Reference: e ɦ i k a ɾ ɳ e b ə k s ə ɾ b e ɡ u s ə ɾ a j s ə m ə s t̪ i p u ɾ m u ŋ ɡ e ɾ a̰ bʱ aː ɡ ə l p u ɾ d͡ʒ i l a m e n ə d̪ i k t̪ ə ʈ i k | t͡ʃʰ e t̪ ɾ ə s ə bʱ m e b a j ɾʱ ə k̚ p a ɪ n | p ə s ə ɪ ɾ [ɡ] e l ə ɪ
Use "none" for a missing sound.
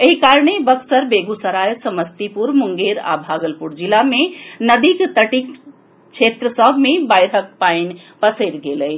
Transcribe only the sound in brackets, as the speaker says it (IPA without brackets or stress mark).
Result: ɡ